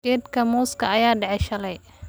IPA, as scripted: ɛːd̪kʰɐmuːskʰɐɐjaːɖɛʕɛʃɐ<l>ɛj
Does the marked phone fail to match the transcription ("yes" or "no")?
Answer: no